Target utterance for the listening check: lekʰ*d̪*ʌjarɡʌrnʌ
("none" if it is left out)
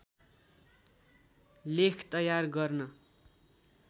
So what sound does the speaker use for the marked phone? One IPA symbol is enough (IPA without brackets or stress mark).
t̪